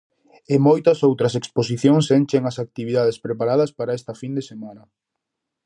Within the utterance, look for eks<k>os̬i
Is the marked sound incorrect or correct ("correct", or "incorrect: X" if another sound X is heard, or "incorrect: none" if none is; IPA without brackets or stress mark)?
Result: incorrect: p